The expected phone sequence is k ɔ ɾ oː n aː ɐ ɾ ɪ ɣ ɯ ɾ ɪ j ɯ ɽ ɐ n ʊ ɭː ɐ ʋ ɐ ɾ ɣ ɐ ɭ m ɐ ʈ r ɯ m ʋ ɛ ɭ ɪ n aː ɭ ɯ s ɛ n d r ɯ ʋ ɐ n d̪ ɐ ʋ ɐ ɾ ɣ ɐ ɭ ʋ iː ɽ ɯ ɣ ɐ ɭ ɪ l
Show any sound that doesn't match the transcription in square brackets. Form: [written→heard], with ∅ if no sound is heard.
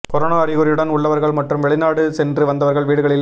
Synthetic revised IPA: k ɔ ɾ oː n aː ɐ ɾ ɪ ɣ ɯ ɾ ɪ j ɯ ɽ ɐ n ʊ ɭː ɐ ʋ ɐ ɾ ɣ ɐ ɭ m ɐ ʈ r ɯ m ʋ ɛ ɭ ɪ n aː [ɭ→ɽ] ɯ s ɛ n d r ɯ ʋ ɐ n d̪ ɐ ʋ ɐ ɾ ɣ ɐ ɭ ʋ iː ɽ ɯ ɣ ɐ ɭ ɪ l